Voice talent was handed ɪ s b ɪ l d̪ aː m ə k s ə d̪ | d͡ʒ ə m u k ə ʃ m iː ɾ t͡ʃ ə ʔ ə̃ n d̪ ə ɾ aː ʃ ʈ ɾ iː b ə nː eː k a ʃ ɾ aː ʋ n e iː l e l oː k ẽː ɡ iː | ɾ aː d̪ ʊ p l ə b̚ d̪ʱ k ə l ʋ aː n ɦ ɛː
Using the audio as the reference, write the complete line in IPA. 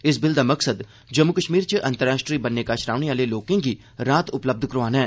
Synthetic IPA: ɪ s b ɪ l d̪ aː m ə k s ə d̪ | d͡ʒ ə m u k ə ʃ m iː ɾ t͡ʃ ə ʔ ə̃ n t̪ ə ɾ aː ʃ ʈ ɾ iː b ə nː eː k a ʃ ɾ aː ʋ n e aː l e l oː k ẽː ɡ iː | ɾ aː t̪ ʊ p l ə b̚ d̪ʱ k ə ɾ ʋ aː n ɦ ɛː